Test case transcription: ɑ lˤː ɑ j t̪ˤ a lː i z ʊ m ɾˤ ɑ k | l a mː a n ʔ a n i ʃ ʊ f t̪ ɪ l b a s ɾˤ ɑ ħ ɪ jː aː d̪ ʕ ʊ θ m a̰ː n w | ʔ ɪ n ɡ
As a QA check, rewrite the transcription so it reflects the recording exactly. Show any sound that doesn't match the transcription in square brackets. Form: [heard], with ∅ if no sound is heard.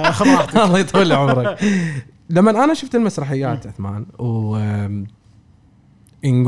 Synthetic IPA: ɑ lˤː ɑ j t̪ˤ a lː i [ʕ] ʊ m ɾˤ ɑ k | l a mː a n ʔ a n [a] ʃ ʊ f t̪ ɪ l [m] a s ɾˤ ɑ ħ ɪ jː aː [t̪] ʕ ʊ θ m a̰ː n w | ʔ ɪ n ɡ